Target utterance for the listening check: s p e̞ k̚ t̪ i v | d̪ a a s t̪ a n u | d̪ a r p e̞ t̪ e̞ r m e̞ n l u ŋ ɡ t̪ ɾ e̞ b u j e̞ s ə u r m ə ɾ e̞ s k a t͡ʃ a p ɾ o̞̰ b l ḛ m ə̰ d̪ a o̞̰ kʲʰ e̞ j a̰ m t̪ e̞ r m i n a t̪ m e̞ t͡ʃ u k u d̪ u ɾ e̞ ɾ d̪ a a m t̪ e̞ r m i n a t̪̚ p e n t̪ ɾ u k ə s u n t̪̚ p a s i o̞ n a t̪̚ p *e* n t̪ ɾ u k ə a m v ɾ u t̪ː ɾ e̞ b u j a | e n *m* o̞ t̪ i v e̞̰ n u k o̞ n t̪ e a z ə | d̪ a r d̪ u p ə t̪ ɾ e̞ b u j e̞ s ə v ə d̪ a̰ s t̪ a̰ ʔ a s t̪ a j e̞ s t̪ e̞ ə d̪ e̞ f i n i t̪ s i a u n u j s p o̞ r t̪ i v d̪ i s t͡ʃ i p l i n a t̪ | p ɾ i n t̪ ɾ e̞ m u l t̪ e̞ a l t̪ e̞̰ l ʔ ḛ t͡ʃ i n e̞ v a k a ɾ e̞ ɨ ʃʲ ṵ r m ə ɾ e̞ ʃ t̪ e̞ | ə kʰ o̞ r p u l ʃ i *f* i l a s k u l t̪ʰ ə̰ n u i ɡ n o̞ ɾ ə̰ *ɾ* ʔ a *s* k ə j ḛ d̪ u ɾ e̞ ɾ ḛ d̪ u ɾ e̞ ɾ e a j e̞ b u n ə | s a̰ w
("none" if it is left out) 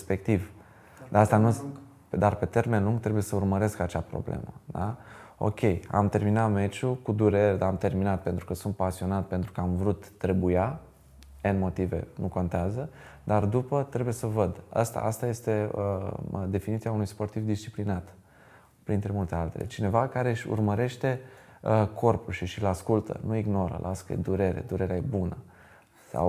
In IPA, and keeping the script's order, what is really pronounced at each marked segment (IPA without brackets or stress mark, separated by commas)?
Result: e, m, ʃ, l, s